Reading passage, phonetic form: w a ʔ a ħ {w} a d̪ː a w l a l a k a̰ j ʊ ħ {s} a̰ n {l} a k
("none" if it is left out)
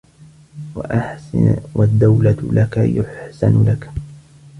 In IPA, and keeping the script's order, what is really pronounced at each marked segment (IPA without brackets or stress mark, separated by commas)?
w, s, l